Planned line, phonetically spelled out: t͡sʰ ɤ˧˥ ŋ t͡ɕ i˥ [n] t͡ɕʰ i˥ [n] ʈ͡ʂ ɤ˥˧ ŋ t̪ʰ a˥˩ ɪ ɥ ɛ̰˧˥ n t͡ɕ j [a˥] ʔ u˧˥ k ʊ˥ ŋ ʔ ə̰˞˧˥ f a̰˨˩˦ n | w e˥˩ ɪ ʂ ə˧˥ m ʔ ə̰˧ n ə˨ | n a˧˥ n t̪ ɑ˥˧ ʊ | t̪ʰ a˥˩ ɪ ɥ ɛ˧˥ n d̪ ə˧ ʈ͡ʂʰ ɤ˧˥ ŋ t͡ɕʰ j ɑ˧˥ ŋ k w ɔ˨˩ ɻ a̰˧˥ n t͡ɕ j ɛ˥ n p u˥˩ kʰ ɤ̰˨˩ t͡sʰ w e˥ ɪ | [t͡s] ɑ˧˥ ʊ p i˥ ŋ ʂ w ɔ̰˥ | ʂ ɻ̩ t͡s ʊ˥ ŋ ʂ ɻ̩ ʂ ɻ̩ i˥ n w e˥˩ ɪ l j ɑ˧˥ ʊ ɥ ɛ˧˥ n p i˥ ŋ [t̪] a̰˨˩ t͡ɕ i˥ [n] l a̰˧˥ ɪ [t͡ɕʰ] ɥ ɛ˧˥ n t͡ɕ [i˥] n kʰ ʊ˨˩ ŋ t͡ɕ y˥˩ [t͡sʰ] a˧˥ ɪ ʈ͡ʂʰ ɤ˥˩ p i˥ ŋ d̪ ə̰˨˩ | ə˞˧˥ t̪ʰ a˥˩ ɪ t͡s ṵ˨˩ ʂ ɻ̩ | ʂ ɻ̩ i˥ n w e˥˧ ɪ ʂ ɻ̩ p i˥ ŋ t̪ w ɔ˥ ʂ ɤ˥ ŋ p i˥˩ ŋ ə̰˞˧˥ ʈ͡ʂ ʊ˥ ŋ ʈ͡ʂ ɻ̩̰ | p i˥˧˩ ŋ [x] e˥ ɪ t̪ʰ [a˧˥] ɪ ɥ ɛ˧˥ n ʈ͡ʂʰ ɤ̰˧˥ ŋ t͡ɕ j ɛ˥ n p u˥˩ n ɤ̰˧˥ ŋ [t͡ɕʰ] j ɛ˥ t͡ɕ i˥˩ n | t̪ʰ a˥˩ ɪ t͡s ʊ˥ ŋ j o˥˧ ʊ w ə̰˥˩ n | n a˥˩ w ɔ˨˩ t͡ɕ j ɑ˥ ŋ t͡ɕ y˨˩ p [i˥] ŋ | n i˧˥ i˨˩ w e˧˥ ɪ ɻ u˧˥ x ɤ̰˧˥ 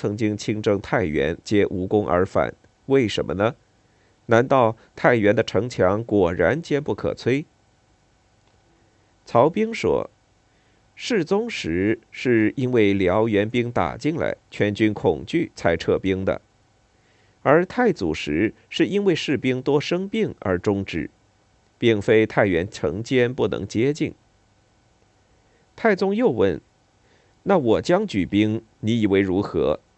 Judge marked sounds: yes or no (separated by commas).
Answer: no, no, no, no, yes, no, yes, no, yes, no, no, no, yes